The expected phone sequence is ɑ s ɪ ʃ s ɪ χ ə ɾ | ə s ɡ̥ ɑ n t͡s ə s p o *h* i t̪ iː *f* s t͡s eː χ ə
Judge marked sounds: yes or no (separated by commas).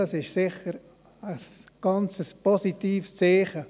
no, yes